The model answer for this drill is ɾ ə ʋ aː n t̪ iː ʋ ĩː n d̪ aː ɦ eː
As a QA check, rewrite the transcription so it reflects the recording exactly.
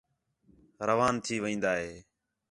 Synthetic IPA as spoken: ɾ ə ʋ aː n t̪ʰ iː ʋ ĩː n d̪ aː ɦ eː